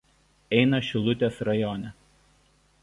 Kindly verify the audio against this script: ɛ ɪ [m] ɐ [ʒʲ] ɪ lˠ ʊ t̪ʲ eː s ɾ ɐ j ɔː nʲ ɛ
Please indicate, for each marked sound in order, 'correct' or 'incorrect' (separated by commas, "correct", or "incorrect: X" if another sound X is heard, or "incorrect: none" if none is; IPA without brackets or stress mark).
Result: incorrect: n, incorrect: ʃʲ